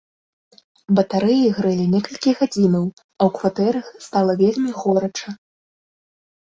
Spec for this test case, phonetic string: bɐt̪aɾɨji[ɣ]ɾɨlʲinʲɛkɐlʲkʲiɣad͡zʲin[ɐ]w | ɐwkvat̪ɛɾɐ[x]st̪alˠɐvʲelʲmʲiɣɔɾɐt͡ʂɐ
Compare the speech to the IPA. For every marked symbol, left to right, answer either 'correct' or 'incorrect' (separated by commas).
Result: correct, correct, correct